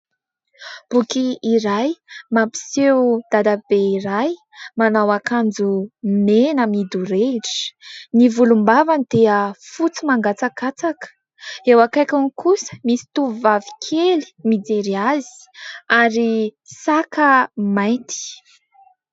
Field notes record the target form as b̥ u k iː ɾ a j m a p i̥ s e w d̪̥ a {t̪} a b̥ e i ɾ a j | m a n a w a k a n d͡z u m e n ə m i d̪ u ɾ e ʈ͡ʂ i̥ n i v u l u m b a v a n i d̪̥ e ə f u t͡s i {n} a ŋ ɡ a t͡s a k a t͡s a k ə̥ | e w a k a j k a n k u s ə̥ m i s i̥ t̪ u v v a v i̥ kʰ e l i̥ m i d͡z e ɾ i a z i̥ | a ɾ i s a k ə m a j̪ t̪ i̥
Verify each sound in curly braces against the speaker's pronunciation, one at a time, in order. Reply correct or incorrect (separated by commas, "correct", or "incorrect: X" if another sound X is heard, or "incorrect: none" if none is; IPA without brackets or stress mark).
incorrect: d̪, incorrect: m